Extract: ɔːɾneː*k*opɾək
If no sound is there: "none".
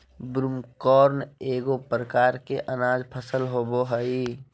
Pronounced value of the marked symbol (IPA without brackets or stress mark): ɡ